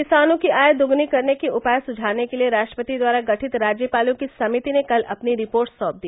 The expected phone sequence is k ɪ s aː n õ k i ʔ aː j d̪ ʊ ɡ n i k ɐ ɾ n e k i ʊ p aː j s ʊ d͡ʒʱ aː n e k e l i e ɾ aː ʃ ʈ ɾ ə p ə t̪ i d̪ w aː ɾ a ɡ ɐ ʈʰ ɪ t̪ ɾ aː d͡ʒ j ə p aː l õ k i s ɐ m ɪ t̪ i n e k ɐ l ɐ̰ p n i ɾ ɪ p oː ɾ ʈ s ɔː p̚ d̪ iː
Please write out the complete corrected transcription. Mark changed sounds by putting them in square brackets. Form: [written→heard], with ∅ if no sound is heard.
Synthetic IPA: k ɪ s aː n õ k i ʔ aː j d̪ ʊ ɡ n i k ɐ ɾ n e k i ʊ p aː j s ʊ d͡ʒʱ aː n e k e l i e ɾ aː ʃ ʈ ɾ ə p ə t̪ i d̪ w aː ɾ a ɡ ɐ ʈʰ ɪ t̪ ɾ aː d͡ʒ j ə p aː l õ k i s ɐ m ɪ t̪ i n e k ɐ l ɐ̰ p n i ɾ ɪ p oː ɾ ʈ s ɔː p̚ d̪ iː